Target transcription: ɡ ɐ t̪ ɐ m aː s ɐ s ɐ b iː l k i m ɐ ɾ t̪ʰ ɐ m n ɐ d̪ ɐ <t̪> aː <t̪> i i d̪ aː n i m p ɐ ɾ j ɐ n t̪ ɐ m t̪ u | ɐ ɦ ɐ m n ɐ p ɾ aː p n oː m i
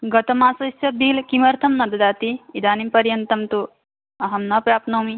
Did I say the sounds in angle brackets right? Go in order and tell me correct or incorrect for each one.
incorrect: d̪, correct

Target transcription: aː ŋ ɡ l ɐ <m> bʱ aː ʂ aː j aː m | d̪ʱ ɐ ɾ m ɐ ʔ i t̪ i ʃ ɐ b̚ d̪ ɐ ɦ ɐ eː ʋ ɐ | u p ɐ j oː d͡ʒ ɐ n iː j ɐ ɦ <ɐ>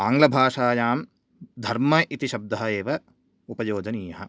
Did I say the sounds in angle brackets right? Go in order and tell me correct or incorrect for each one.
incorrect: none, correct

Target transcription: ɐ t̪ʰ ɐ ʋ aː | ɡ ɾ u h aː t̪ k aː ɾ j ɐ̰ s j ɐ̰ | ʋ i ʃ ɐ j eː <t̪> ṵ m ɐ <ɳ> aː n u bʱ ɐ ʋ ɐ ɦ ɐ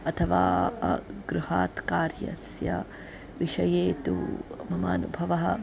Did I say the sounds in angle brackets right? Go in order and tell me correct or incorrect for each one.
correct, incorrect: m

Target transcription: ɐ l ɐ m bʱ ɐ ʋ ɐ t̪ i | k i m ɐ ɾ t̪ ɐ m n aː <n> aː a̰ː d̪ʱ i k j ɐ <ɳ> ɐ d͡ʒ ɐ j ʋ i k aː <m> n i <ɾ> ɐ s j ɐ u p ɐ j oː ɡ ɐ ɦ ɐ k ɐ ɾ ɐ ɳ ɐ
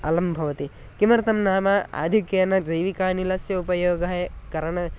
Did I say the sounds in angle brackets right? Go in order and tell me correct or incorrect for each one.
incorrect: m, incorrect: n, incorrect: none, incorrect: l

